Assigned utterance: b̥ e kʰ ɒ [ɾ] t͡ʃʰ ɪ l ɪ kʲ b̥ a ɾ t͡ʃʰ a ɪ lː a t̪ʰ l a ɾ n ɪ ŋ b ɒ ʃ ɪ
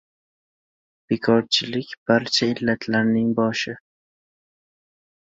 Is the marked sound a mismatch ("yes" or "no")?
no